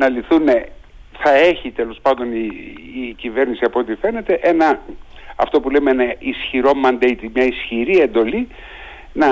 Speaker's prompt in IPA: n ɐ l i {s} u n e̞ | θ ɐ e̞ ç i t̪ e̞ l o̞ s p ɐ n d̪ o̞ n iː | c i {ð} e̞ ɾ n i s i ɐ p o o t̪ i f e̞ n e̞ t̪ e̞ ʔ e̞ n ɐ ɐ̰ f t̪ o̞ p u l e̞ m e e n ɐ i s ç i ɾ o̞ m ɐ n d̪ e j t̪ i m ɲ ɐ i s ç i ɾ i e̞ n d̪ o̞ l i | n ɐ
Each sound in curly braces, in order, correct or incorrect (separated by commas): incorrect, incorrect